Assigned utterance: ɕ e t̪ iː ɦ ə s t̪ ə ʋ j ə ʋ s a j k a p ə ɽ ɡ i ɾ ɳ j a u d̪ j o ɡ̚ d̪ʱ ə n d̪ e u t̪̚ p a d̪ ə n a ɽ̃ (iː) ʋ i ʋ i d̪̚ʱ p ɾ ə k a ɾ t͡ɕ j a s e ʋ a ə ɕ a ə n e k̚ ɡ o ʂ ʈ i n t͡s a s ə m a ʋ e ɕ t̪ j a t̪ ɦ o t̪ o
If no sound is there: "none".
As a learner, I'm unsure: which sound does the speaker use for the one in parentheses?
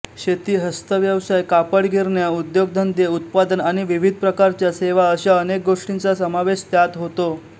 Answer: i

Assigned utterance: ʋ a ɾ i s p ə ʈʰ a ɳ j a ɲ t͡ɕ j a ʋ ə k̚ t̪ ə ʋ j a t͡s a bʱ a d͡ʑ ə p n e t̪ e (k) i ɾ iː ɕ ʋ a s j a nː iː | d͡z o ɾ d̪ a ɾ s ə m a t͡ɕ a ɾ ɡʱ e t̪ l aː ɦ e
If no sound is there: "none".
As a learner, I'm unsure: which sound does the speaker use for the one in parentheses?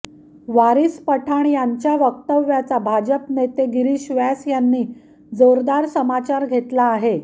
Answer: ɡ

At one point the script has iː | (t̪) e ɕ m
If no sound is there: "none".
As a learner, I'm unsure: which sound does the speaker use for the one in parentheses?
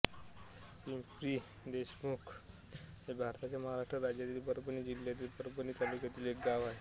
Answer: d̪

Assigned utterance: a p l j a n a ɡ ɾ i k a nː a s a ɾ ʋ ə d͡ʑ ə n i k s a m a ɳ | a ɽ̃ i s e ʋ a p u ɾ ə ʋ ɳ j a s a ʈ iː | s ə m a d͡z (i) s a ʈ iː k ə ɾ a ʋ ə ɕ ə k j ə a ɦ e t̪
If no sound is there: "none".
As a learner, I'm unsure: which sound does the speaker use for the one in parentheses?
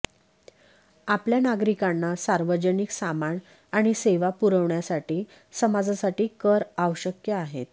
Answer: a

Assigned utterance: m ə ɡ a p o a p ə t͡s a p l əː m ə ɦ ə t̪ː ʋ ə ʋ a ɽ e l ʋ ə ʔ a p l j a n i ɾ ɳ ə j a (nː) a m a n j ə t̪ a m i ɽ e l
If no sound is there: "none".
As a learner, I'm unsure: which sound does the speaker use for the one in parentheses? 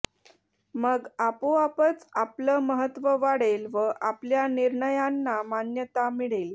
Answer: nː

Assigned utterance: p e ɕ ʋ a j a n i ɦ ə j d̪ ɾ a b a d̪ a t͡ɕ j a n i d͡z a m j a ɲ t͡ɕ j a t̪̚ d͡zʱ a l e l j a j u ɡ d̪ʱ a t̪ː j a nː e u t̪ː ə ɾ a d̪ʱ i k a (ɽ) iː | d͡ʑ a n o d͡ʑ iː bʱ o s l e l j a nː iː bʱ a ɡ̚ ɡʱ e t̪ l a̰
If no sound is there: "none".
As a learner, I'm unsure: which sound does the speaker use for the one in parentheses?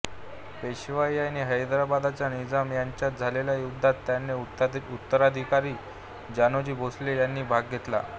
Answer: ɾ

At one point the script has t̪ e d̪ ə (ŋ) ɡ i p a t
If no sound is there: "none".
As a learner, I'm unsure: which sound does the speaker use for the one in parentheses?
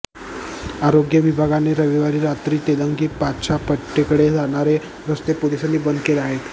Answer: ŋ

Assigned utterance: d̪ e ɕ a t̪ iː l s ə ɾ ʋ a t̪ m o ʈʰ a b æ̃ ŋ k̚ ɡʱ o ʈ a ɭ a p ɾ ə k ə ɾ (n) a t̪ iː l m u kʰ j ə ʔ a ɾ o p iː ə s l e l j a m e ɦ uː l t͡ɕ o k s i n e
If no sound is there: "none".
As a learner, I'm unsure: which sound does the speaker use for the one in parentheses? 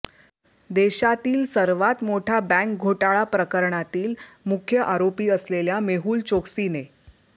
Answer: ɳ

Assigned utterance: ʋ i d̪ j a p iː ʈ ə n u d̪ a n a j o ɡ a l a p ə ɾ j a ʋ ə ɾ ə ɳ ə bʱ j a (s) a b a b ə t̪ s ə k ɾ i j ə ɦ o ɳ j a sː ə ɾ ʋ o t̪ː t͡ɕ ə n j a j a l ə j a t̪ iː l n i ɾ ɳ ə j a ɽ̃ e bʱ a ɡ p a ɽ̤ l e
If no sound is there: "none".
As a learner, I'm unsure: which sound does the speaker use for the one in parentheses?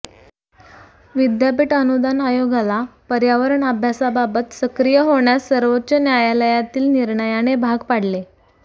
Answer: s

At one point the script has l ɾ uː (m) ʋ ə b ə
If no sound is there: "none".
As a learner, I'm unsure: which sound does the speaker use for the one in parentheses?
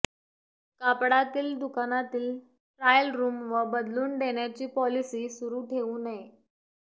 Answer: m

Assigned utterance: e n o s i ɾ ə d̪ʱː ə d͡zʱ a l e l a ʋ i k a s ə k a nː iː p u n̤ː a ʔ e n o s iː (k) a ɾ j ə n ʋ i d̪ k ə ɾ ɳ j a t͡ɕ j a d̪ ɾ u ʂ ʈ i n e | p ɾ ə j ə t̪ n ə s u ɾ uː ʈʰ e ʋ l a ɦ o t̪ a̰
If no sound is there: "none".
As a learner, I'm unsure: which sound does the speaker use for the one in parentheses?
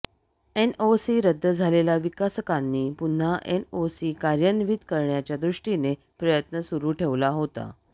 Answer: k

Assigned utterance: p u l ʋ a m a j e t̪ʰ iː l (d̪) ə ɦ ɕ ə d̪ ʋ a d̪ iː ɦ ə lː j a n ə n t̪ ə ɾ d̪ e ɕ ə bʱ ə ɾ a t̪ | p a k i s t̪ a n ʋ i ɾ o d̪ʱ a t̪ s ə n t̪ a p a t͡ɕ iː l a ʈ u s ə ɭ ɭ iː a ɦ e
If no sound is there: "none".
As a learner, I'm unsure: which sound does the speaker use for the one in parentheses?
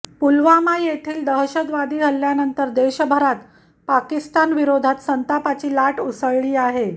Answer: d̪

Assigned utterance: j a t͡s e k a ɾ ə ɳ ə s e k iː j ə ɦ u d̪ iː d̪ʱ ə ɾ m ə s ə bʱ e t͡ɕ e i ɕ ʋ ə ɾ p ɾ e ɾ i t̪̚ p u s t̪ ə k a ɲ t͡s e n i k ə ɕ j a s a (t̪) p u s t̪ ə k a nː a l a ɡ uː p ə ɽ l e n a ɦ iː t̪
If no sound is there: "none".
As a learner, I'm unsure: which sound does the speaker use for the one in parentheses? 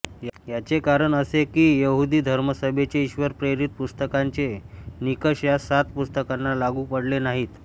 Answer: t̪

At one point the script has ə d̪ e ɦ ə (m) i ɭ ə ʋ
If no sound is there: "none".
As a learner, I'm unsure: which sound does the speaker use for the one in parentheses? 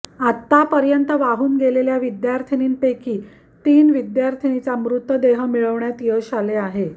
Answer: m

